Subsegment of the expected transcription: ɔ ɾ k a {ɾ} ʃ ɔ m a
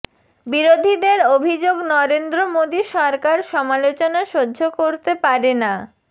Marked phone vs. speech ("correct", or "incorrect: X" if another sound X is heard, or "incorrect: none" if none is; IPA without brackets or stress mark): correct